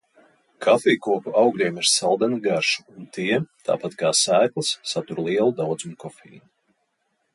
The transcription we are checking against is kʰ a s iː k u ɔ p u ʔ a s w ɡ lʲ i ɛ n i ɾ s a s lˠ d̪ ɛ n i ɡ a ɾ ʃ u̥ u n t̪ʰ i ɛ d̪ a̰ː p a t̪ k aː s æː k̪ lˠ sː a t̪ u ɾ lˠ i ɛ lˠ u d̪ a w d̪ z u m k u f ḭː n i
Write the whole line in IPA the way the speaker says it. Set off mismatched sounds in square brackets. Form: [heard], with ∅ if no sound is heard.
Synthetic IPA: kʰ a [f] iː k u ɔ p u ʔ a [∅] w ɡ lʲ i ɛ [m] i ɾ s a [∅] lˠ d̪ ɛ n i ɡ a ɾ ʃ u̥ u n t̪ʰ i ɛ [t̪] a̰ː p a t̪ k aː s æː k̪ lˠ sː a t̪ u ɾ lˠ i ɛ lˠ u d̪ a w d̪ z u m k [ɔ] f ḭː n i